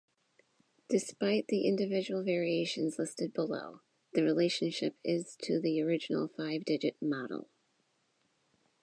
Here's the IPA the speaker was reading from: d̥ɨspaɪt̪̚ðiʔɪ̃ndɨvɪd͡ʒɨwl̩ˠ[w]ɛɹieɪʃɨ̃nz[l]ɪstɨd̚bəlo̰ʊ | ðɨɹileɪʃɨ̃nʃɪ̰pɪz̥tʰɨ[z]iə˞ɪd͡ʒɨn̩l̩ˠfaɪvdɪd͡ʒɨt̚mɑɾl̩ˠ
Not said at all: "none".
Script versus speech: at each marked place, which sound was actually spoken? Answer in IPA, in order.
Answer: v, l, ð

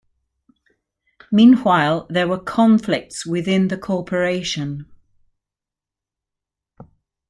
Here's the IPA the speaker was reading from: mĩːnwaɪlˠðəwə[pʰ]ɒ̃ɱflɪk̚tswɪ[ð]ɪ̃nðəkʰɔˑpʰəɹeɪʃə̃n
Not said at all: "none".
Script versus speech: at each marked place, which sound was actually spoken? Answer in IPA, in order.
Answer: kʰ, ð

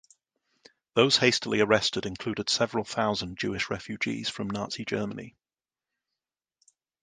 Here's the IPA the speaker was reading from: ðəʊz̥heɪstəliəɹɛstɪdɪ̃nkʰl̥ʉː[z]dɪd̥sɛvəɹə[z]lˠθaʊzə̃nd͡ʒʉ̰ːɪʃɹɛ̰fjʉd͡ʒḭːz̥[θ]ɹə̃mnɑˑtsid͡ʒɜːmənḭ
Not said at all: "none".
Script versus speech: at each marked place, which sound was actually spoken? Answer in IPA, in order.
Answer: none, none, f

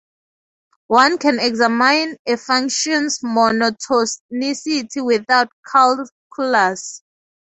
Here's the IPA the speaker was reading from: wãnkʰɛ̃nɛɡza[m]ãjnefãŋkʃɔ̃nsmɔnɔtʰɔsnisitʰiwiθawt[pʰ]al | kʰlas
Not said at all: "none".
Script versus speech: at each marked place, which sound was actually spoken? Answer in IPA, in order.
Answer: m, kʰ

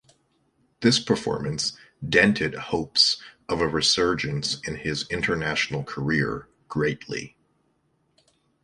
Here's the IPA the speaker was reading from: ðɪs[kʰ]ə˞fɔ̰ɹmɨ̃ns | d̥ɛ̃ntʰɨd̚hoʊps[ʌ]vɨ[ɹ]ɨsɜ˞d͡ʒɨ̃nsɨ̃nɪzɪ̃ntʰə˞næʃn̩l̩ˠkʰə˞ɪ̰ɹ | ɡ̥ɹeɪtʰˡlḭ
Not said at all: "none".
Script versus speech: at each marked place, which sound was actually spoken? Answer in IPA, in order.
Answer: pʰ, ʌ, ɹ

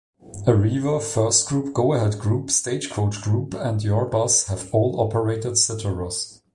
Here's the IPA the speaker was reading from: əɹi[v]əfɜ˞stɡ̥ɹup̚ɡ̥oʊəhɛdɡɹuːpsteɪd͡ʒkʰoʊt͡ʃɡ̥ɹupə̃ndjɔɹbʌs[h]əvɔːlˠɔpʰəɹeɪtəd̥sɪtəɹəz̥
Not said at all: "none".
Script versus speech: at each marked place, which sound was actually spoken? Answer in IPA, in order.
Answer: v, h

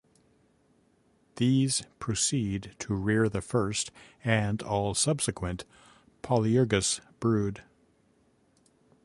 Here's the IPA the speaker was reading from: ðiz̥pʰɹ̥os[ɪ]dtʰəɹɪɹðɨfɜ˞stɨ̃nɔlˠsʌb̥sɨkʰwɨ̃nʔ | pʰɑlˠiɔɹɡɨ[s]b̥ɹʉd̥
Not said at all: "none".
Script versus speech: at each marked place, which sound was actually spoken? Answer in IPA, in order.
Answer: i, s

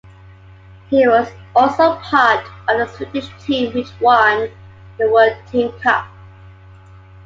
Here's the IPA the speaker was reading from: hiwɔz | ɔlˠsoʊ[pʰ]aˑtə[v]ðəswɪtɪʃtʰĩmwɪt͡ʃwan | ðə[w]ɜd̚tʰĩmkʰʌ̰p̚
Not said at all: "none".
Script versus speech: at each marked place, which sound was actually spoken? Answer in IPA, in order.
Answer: pʰ, v, w

